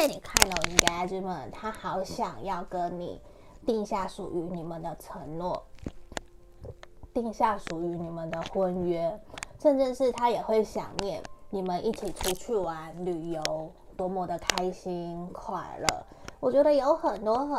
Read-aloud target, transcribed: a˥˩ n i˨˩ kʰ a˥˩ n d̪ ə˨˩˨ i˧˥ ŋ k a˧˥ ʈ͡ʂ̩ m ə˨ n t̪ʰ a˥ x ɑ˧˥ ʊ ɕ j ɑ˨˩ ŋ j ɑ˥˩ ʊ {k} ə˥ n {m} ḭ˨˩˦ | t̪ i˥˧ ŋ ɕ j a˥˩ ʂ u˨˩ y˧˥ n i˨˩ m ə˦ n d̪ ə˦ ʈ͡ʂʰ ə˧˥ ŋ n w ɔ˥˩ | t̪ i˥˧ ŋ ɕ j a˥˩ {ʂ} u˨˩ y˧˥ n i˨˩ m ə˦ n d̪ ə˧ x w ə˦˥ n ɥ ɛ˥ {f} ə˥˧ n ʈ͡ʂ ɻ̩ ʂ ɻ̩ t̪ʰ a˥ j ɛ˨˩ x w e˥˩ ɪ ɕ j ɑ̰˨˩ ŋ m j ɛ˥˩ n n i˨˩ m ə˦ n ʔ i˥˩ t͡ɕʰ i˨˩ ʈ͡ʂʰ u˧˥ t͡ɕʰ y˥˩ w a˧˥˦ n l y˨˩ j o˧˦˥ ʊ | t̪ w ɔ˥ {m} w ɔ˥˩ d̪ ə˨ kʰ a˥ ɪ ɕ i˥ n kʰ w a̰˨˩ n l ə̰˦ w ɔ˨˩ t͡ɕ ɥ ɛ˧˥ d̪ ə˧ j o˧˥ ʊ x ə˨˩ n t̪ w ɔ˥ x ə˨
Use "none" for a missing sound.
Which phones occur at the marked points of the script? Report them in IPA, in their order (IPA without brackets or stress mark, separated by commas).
k, n, ʂ, ʂ, m